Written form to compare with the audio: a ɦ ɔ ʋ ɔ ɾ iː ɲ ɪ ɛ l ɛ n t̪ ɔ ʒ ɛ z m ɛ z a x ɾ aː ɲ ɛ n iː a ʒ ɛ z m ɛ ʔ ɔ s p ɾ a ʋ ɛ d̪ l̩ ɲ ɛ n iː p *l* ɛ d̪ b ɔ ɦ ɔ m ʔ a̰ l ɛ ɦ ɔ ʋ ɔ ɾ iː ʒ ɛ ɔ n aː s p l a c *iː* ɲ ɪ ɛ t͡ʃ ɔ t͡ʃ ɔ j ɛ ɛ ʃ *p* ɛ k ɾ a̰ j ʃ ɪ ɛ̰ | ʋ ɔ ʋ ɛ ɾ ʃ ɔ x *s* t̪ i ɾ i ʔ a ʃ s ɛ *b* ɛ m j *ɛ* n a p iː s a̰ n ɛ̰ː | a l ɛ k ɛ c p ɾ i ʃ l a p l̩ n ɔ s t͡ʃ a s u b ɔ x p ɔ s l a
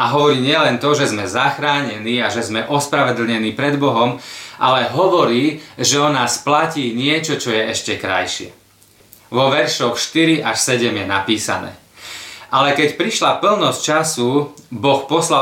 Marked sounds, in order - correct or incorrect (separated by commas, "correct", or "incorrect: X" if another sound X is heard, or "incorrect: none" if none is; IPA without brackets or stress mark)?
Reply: incorrect: ɾ, correct, incorrect: c, incorrect: ʃ, incorrect: ɟ, correct